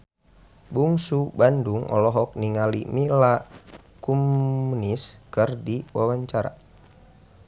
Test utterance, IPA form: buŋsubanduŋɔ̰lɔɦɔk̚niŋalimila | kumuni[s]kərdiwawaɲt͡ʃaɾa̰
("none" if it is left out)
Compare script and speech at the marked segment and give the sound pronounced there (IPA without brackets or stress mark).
s